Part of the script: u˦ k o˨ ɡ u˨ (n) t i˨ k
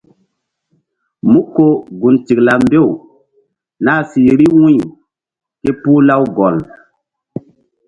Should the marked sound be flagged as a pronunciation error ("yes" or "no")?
no